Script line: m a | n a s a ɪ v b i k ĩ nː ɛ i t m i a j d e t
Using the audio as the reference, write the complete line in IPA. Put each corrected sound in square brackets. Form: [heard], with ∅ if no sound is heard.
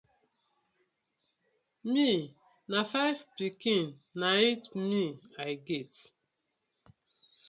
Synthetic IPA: m [i] | n a [f] a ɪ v [p] i k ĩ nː [a] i t m i a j [ɡ] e t